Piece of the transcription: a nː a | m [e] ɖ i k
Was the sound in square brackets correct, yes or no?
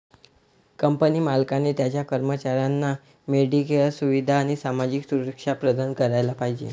yes